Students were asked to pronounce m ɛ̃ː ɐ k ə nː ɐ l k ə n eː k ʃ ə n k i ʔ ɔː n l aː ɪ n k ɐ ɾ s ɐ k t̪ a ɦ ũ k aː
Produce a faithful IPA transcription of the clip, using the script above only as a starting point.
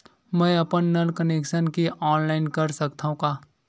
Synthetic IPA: m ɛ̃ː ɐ p ə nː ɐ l k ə n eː k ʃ ə n k i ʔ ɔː n l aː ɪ n k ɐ ɾ s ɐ k t̪ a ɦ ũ k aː

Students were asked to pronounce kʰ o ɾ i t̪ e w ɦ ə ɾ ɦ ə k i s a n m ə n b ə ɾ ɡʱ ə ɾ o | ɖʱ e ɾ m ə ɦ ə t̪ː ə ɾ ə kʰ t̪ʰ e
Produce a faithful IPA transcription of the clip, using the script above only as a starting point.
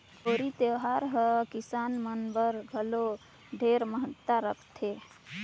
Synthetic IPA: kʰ o ɾ i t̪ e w ɦ a ɾ ɦ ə k i s a n m ə n b ə ɾ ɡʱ ə l o | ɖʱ e ɾ m ə ɦ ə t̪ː a ɾ ə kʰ t̪ʰ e

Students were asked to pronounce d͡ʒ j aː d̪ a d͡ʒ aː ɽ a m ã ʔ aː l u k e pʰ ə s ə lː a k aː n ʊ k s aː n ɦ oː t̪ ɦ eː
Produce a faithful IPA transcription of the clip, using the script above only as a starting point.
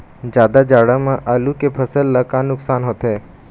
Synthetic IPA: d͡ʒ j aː d̪ a d͡ʒ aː ɽ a m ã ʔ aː l u k e pʰ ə s ə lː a k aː n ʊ k s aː n ɦ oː t̪ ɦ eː

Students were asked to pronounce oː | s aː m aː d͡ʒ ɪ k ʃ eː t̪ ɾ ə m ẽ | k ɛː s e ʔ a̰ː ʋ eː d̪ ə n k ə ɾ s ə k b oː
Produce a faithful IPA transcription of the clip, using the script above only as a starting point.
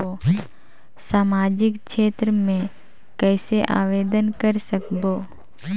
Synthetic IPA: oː | s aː m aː d͡ʒ ɪ k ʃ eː t̪ ɾ ə m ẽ | k ɛː s e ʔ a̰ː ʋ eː d̪ ə n k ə ɾ s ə k b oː

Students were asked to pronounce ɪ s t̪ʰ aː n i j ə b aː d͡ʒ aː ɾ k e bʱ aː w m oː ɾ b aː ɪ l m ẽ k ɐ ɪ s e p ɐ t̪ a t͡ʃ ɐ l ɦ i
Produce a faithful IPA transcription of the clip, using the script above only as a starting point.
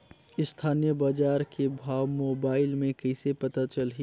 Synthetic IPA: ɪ s t̪ʰ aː n i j ə b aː d͡ʒ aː ɾ k e bʱ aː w m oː b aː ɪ l m ẽ k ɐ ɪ s e p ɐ t̪ a t͡ʃ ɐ l ɦ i

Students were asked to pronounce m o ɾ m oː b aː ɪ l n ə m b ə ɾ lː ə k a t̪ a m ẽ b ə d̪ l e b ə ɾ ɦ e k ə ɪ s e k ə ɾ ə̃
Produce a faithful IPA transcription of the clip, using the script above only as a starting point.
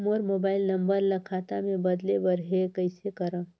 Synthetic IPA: m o ɾ m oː b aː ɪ l n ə m b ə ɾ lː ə kʰ a t̪ a m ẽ b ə d̪ l e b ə ɾ ɦ e k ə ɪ s e k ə ɾ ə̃

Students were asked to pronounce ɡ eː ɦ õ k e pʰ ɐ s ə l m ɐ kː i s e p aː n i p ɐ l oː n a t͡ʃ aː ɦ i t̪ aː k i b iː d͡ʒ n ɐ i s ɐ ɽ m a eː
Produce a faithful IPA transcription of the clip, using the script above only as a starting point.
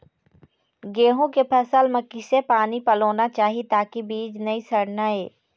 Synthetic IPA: ɡ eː ɦ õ k e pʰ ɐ s ə l m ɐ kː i s e p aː n i p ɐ l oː n a t͡ʃ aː ɦ i t̪ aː k i b iː d͡ʒ n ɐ i s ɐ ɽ n a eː

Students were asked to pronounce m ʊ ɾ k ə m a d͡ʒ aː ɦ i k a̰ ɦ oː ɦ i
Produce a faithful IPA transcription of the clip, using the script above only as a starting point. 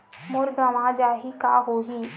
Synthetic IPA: m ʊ ɾ ɡ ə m a d͡ʒ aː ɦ i k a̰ ɦ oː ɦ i

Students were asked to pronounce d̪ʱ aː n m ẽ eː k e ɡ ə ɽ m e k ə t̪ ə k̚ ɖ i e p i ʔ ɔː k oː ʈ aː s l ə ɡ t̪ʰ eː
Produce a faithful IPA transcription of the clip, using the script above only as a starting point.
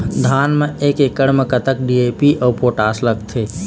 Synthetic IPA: d̪ʱ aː n m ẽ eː k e k ə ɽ m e k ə t̪ ə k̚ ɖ i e p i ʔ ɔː p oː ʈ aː s l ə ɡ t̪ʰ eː

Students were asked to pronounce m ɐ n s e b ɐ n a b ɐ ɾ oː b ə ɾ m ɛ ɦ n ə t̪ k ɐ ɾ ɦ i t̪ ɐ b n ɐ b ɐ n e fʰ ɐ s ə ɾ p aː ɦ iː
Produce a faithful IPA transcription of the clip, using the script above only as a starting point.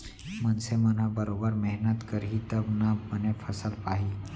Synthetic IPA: m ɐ n s e m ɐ n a b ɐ ɾ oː b ə ɾ m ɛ ɦ n ə t̪ k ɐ ɾ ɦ i t̪ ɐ b n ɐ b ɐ n e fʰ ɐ s ə l p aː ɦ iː

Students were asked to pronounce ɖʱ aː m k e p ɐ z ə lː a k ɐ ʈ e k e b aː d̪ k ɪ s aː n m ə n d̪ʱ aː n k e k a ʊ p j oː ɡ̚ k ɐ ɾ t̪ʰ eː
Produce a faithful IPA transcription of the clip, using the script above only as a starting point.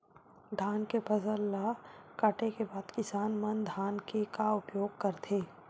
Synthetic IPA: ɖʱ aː n k e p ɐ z ə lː a k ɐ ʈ e k e b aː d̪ k ɪ s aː n m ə n d̪ʱ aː n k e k a ʊ p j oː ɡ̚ k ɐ ɾ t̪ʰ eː

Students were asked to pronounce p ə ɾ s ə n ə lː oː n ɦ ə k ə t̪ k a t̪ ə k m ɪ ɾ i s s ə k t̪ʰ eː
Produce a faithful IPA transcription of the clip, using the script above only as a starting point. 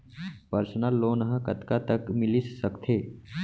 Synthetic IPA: p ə ɾ s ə n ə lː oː n ɦ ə k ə t̪ k a t̪ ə k m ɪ l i s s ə k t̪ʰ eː

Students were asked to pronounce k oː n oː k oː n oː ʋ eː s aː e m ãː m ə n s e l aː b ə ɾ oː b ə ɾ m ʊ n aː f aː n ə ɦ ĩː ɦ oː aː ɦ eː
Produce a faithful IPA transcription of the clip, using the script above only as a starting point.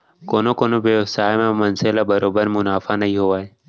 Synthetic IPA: k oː n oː k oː n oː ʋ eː s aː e m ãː m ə n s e l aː b ə ɾ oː b ə ɾ m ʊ n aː f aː n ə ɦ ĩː ɦ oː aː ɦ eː

